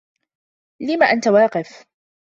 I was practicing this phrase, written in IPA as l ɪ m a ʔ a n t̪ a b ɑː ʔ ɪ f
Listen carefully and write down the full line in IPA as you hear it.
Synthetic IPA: l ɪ m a ʔ a n t̪ a w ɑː q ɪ f